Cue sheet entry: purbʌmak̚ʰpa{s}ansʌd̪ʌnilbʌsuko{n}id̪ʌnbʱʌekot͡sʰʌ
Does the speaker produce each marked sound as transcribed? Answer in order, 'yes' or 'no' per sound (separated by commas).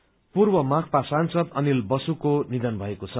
yes, yes